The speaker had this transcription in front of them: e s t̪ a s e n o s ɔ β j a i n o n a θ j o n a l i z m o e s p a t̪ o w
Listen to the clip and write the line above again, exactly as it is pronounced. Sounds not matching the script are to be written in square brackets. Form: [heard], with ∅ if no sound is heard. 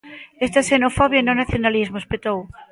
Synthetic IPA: e s t̪ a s e n o [f] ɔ β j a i n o n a θ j o n a l i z m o e s p [e] t̪ o w